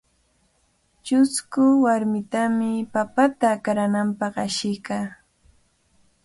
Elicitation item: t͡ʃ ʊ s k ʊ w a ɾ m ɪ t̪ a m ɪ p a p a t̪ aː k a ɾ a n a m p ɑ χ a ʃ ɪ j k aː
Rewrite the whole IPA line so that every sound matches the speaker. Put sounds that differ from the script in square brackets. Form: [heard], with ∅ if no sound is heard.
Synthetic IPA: t͡ʃ ʊ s k ʊ w a ɾ m ɪ t̪ a m ɪ p a p a t̪ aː k a ɾ a n a m p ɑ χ a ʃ ɪ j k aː